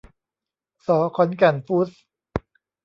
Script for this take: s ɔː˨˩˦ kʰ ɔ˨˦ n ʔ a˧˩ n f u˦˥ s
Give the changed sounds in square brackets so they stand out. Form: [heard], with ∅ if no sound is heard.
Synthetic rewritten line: s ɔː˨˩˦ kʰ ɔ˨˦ n [k] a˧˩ n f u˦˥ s